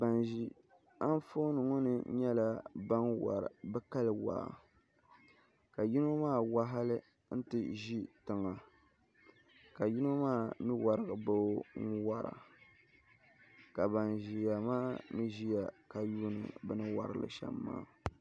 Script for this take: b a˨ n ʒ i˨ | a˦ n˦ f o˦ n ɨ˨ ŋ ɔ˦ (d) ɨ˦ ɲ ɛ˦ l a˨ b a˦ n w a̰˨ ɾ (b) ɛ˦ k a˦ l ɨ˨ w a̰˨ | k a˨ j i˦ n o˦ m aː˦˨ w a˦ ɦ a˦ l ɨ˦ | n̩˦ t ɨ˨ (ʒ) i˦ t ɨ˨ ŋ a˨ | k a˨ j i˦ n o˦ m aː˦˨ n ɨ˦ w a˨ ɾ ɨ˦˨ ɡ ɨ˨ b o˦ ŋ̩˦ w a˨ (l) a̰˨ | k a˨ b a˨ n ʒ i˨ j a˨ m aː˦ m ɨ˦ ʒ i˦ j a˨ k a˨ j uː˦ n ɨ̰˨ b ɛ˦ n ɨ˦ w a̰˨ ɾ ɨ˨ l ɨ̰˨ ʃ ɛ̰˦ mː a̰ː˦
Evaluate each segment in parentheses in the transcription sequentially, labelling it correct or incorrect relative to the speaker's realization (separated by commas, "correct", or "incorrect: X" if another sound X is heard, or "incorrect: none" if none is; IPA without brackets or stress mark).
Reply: incorrect: n, correct, correct, incorrect: ɾ